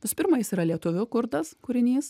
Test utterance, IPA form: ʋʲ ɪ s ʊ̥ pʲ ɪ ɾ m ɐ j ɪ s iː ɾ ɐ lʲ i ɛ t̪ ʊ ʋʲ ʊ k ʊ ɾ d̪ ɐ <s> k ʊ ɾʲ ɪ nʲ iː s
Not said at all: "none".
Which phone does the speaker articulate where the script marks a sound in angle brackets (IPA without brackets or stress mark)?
s